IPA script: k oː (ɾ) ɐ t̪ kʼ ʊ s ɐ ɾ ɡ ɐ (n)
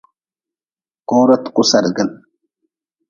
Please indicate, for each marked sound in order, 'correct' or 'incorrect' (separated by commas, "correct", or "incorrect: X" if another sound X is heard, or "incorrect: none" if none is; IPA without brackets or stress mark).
correct, correct